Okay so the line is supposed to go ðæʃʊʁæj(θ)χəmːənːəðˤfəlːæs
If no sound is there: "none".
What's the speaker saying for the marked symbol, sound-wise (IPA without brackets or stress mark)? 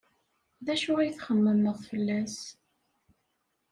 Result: θ